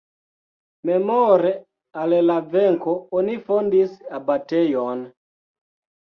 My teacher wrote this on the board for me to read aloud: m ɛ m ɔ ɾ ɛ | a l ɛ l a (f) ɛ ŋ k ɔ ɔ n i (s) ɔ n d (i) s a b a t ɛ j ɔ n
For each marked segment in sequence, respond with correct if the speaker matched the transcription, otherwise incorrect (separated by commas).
incorrect, incorrect, correct